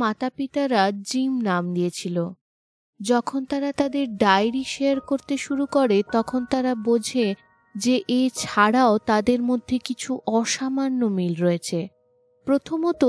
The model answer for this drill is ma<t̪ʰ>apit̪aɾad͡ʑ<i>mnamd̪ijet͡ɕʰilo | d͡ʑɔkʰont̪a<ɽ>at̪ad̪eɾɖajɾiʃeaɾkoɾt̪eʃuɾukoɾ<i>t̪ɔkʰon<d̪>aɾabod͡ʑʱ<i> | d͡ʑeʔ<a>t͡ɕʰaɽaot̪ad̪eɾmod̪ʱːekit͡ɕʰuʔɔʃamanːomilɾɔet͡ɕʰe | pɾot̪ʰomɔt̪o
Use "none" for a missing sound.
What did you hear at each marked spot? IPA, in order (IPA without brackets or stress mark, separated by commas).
t̪, i, ɾ, e, t̪, e, e